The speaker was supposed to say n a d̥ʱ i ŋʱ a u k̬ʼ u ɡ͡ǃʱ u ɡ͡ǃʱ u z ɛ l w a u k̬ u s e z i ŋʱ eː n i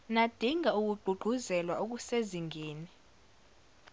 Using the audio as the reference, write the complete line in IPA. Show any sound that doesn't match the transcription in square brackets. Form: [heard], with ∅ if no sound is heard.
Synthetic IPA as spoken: n a d̥ʱ i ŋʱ a u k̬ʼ u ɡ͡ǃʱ u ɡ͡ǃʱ u z ɛ l w a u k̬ u s e z i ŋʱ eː n i